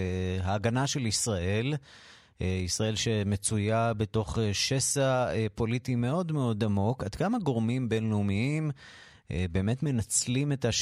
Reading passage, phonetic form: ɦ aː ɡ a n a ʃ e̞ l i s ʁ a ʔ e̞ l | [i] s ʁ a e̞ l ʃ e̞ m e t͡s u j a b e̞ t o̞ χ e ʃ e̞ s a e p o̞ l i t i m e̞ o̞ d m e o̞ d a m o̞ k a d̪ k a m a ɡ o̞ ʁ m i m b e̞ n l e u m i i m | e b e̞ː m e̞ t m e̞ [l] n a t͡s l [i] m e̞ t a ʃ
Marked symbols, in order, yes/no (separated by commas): yes, no, yes